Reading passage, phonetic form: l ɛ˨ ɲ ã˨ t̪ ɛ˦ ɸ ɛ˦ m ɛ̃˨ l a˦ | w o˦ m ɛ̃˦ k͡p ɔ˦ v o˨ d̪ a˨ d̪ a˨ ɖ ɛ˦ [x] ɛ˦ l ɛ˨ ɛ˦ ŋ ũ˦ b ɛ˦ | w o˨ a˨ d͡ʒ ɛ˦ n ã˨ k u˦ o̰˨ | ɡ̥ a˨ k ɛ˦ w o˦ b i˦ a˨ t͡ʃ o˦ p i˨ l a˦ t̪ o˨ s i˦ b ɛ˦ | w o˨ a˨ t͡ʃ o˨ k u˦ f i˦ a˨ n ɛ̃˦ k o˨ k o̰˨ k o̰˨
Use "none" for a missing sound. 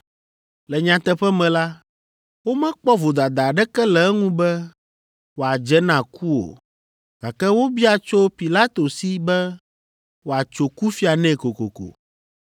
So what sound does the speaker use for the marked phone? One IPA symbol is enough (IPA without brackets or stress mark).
k